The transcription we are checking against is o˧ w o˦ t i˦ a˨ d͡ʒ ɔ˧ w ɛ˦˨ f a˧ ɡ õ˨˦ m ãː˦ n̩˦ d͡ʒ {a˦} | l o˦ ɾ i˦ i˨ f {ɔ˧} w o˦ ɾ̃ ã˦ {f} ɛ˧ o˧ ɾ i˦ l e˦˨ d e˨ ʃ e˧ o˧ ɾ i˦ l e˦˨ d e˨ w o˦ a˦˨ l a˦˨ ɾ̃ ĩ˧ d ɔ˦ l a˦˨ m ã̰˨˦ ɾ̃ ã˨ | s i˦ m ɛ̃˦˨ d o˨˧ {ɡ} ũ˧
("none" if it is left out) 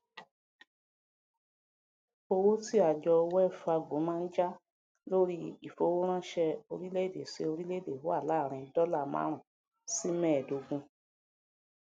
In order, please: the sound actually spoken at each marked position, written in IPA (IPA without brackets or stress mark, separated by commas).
a˦, o˧, ʃ, ɡ